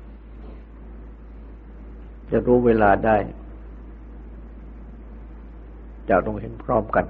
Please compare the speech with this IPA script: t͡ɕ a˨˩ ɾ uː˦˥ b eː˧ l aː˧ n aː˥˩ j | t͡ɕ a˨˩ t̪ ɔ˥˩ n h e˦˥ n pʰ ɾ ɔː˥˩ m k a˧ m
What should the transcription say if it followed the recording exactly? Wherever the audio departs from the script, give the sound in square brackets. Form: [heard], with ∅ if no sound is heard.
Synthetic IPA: t͡ɕ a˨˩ ɾ uː˦˥ [w] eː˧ l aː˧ [d] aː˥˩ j | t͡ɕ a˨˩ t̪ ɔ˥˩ [ŋ] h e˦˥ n pʰ ɾ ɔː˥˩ m k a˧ [n]